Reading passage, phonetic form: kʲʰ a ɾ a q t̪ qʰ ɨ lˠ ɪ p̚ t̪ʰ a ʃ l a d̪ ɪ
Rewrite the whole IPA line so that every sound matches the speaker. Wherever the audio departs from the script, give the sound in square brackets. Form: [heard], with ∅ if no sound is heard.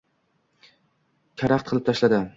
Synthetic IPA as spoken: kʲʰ a ɾ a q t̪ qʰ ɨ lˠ ɪ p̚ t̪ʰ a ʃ l a d̪ ɪ